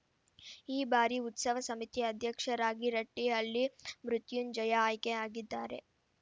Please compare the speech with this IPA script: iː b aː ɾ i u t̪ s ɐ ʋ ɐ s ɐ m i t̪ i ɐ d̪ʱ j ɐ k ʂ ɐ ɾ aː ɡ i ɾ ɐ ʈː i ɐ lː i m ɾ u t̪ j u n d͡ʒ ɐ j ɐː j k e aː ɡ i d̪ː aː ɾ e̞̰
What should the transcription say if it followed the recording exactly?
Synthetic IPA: iː b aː ɾ i u t̪ s ɐ ʋ ɐ s ɐ m i t̪ i ɐ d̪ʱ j ɐ k ʂ ɐ ɾ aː ɡ i ɾ ɐ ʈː i ɐ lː i m ɾ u t̪ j u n d͡ʒ ɐ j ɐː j k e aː ɡ i d̪ː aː ɾ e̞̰